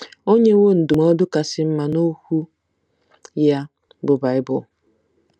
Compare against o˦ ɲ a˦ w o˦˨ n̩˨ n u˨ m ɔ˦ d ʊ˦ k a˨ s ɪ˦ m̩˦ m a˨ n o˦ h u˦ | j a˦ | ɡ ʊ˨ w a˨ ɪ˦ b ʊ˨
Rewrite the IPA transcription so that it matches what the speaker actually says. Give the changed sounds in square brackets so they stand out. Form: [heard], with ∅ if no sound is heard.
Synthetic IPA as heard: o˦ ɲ [e˦] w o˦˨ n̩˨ [d] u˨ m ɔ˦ d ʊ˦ k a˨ s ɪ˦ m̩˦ m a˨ n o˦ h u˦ | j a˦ | [b] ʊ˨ [b] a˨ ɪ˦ b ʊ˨